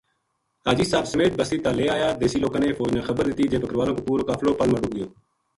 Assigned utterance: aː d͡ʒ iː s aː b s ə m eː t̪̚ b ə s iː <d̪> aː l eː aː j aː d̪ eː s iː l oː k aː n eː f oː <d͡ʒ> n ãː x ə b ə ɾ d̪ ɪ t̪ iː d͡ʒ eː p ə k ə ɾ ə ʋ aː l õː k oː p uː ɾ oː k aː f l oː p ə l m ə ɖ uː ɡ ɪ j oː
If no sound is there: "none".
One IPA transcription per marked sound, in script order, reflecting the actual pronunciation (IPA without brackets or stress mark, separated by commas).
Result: t̪, d͡ʒ